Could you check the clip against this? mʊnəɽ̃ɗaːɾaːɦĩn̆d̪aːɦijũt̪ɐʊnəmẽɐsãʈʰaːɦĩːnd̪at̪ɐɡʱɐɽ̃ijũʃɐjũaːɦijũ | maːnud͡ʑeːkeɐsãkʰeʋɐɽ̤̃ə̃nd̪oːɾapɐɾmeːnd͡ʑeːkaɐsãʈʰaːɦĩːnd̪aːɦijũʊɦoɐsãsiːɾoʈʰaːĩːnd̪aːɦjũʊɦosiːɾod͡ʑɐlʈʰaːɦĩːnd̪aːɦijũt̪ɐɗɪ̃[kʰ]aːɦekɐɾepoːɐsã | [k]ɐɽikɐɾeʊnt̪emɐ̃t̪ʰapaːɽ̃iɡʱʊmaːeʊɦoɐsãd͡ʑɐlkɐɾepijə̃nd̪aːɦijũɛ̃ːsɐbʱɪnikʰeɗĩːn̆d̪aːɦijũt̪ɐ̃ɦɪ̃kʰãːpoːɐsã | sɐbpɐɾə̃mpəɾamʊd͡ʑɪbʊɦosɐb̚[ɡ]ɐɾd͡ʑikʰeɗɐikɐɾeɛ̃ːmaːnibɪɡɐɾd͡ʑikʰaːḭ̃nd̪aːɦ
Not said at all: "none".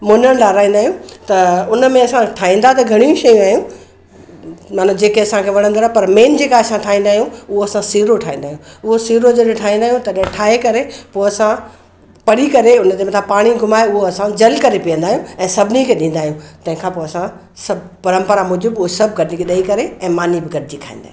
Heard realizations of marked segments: ʈʰ, p, ɡ

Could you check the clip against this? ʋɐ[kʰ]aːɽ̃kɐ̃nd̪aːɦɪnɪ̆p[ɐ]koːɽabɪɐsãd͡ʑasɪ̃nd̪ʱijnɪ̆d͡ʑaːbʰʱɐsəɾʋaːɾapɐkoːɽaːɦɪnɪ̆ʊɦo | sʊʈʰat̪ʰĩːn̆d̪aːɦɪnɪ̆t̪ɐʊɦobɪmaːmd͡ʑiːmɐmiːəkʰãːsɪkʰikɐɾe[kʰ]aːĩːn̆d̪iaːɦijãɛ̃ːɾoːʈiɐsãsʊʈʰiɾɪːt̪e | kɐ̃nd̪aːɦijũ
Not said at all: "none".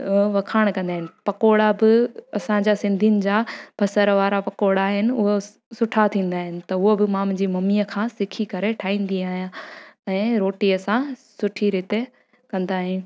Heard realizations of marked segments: kʰ, ɐ, ʈʰ

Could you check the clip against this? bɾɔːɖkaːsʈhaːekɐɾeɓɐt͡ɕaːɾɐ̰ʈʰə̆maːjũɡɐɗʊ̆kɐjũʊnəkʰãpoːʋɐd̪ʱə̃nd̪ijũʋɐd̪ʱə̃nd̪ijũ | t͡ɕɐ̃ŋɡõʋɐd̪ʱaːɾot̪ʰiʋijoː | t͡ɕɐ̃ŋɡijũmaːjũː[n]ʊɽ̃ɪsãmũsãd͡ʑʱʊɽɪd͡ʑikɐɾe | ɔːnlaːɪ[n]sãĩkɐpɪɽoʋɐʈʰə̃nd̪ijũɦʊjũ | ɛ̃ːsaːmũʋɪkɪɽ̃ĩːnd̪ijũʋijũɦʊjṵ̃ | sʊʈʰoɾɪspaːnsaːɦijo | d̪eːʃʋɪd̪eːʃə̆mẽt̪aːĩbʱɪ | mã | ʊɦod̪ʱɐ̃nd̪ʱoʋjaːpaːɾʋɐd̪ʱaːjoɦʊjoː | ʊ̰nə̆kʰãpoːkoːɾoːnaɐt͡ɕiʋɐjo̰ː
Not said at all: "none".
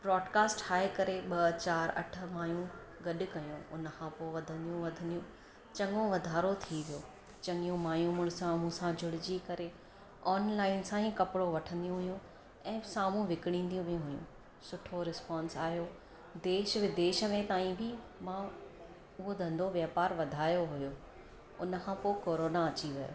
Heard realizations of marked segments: m, n

